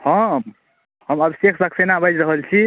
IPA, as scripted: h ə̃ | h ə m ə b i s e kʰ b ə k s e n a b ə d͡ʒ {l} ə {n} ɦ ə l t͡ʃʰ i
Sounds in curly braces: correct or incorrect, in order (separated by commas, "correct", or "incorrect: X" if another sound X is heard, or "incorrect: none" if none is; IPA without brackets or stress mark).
incorrect: ɾ, incorrect: none